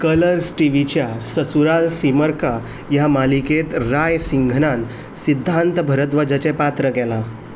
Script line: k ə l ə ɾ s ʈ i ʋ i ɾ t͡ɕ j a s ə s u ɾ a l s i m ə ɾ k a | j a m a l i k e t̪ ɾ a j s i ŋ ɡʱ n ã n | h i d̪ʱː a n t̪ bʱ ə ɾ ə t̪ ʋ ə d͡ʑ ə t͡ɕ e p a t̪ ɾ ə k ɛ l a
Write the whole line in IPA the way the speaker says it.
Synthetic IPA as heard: k ə l ə ɾ s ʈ i ʋ i t͡ɕ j a s ə s u ɾ a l s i m ə ɾ k a | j a m a l i k e t̪ ɾ a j s i ŋ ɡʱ n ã n | s i d̪ʱː a n t̪ bʱ ə ɾ ə t̪ ʋ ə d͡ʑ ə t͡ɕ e p a t̪ ɾ ə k ɛ l a